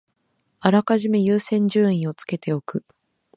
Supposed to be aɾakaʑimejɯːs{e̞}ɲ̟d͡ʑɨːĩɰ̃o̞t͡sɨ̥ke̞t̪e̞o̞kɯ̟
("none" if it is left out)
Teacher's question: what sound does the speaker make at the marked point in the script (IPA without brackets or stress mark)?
ẽ̞